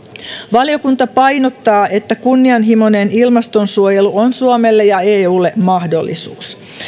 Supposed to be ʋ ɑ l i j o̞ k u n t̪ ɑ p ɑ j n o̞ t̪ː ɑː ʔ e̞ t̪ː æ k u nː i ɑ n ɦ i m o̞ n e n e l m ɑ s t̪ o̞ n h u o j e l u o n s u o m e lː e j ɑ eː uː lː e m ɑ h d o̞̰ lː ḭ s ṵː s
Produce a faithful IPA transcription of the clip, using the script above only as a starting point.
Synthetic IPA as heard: ʋ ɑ l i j o̞ k u n t̪ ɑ p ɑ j n o̞ t̪ː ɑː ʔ e̞ t̪ː æ k u nː i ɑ n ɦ i m o̞ n e n i l m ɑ s t̪ o̞ n s u o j e l u o n s u o m e lː e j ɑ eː uː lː e m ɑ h d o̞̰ lː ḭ s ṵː s